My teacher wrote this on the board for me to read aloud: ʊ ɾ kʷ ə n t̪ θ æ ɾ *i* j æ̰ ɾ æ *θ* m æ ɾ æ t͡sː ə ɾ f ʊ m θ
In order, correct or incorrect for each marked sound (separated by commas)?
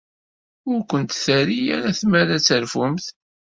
correct, correct